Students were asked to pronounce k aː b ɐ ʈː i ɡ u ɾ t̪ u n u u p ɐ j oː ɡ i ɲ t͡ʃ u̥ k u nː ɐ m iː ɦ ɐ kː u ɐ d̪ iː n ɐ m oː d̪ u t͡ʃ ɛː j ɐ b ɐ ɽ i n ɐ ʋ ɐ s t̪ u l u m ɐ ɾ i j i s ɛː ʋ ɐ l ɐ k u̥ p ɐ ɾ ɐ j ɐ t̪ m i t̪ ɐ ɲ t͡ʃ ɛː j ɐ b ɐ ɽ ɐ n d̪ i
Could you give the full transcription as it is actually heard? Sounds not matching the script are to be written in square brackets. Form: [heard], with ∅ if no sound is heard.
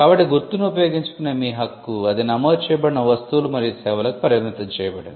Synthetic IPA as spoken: k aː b ɐ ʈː i ɡ u ɾ t̪ u n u u p ɐ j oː ɡ i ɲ t͡ʃ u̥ k u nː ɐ m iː ɦ ɐ kː u ɐ d̪ [i] n ɐ m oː d̪ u t͡ʃ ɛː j ɐ b ɐ ɽ i n ɐ ʋ ɐ s t̪ u l u m ɐ ɾ i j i s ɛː ʋ ɐ l ɐ k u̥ p ɐ ɾ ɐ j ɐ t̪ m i t̪ ɐ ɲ t͡ʃ ɛː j ɐ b ɐ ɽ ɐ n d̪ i